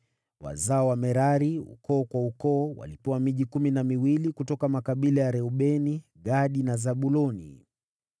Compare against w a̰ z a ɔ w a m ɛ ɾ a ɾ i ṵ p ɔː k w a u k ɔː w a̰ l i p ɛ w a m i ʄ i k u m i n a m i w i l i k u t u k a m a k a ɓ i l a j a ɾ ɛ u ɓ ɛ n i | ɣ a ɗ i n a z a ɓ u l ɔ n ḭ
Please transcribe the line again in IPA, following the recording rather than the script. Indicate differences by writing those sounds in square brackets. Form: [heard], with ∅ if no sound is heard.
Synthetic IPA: w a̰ z a ɔ w a m ɛ ɾ a ɾ i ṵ [k] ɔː k w a u k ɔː w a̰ l i p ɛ w a m i ʄ i k u m i n a m i w i l i k u t [ɔ] k a m a k a ɓ i l a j a ɾ ɛ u ɓ ɛ n i | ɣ a ɗ i n a z a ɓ u l ɔ n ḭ